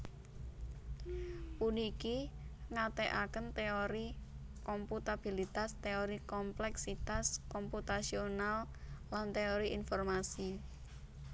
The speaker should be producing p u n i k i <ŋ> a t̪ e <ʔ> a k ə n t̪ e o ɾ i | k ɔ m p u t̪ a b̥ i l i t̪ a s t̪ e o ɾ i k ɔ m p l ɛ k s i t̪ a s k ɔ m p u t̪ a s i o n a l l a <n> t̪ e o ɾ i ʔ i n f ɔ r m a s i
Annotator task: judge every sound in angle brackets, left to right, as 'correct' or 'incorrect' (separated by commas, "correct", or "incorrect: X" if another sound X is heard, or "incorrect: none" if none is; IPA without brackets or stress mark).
correct, correct, correct